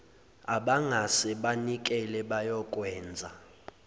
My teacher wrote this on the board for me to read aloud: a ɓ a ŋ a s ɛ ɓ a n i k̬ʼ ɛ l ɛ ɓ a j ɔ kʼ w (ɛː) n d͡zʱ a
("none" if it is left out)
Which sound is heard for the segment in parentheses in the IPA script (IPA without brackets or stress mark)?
ɛː